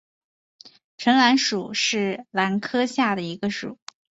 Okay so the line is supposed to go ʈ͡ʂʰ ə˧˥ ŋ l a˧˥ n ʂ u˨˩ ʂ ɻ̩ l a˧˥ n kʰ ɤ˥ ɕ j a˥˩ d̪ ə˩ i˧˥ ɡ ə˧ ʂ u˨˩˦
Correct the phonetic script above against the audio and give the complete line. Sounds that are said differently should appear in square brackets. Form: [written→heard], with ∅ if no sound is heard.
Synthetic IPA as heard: ʈ͡ʂʰ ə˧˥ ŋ l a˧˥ n ʂ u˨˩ ʂ ɻ̩ l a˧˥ n kʰ ɤ˥ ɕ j a˥˩ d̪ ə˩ i˧˥ ɡ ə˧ ʂ u˨˩˦